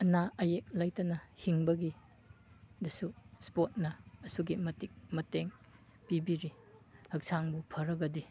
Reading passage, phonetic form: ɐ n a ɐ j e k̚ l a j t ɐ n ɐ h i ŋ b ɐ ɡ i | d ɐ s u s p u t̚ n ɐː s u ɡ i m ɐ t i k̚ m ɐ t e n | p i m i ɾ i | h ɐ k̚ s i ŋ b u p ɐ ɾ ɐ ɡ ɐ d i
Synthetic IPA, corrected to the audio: ɐ n a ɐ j e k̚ l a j t ɐ n ɐ h i ŋ b ɐ ɡ i | d ɐ s u s p o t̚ n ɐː s u ɡ i m ɐ t i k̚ m ɐ t e ŋ | p i b i ɾ i | h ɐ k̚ s a ŋ b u pʰ ɐ ɾ ɐ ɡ ɐ d i